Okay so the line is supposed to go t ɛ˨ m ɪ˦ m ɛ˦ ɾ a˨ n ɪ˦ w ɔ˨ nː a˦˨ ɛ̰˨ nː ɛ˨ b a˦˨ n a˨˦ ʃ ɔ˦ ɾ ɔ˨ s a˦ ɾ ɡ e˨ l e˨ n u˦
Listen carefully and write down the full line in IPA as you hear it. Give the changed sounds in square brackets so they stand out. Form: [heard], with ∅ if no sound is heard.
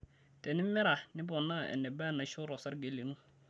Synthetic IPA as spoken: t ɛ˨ [n] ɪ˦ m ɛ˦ ɾ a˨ n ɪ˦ [b] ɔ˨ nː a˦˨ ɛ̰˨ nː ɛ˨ b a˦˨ n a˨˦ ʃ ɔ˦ ɾ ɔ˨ s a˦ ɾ ɡ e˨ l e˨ n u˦